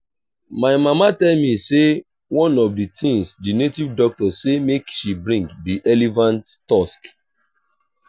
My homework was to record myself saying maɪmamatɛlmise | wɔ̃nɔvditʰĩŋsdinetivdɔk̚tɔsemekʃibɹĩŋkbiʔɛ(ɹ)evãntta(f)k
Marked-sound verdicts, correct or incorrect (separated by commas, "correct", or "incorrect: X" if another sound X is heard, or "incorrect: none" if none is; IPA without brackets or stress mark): incorrect: l, incorrect: s